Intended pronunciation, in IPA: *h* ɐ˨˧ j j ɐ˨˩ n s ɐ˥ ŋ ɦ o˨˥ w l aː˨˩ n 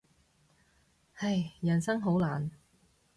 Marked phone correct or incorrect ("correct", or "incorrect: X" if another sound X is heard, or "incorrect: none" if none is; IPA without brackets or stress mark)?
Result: correct